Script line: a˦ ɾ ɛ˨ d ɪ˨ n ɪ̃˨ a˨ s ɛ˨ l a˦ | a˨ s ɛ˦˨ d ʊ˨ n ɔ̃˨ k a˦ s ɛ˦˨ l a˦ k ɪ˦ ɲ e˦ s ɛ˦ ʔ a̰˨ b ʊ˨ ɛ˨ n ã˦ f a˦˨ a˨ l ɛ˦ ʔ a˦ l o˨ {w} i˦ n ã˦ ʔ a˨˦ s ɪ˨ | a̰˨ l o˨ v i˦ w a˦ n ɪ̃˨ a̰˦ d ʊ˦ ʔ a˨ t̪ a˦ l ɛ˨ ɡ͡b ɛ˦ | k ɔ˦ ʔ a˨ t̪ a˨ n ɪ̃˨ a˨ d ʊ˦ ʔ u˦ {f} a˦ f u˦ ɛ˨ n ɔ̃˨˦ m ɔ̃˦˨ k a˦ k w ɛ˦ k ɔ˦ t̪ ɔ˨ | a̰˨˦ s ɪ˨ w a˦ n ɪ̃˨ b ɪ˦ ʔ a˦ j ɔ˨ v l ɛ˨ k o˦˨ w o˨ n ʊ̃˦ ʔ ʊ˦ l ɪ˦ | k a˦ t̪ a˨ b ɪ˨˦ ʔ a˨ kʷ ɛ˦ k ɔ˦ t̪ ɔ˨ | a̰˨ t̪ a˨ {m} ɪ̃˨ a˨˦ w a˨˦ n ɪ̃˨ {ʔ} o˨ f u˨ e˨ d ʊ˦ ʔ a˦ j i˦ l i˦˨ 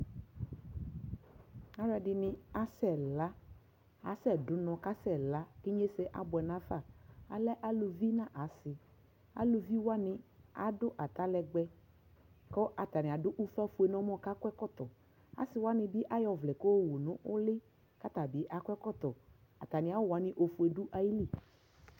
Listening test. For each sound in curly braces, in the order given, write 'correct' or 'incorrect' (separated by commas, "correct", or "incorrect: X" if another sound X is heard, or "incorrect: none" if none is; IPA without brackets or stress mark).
incorrect: v, correct, incorrect: n, correct